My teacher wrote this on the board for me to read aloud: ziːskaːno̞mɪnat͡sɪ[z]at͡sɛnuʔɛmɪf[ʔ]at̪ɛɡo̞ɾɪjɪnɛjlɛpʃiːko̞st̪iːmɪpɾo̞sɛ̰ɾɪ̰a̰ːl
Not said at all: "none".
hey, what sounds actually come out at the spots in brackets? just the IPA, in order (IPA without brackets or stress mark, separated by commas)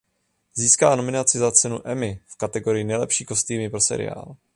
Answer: z, k